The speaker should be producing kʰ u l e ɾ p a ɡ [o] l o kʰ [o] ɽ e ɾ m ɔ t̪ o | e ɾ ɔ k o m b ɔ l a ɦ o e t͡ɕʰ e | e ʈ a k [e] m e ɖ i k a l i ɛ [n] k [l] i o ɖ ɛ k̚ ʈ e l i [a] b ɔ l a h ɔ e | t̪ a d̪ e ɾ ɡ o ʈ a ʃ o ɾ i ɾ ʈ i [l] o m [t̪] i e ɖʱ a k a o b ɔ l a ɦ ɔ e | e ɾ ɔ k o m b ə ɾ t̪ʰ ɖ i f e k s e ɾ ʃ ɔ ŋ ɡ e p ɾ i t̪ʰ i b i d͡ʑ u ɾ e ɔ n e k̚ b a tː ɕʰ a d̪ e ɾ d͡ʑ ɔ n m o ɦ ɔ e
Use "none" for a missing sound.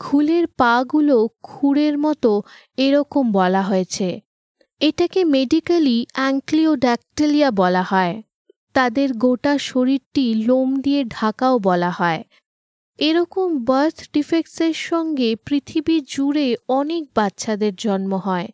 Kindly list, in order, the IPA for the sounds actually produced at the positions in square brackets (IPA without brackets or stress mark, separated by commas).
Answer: u, u, e, ŋ, l, a, l, d̪